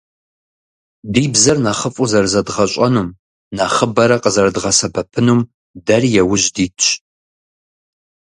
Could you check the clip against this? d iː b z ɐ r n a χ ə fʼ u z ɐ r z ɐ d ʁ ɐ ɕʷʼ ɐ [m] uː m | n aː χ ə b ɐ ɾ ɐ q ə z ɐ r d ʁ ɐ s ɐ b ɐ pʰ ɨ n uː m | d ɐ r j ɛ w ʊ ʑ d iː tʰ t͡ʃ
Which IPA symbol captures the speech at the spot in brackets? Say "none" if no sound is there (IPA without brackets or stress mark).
n